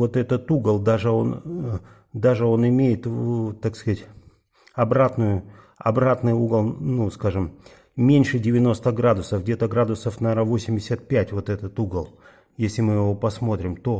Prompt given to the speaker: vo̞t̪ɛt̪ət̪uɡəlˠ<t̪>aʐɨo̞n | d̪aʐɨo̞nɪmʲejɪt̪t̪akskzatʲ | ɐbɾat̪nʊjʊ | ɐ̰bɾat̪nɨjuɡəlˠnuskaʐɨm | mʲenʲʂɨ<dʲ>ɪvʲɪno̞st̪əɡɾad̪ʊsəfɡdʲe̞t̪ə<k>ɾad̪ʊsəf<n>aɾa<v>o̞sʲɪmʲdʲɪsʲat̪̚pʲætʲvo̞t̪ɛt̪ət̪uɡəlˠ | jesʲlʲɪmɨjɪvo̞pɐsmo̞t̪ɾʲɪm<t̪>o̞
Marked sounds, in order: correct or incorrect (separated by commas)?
incorrect, correct, incorrect, correct, correct, correct